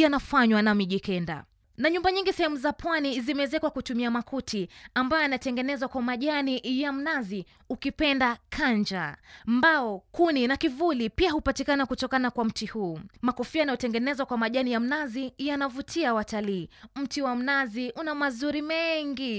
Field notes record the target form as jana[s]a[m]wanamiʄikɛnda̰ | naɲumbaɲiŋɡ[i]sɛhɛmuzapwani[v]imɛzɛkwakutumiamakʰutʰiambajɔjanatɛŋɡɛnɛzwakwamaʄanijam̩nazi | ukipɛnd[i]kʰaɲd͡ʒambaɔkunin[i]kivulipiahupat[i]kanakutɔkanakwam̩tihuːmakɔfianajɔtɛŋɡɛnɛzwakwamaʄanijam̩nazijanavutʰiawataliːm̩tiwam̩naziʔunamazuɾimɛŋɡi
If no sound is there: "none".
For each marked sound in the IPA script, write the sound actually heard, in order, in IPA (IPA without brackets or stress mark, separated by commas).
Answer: f, ɲ, i, z, a, a, i